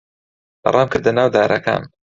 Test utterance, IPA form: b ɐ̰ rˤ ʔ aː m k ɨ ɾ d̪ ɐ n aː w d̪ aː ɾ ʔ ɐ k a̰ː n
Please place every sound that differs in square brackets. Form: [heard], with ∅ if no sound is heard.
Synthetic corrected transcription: b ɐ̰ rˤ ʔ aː m k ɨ ɾ d̪ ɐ n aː w d̪ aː ɾ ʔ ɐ k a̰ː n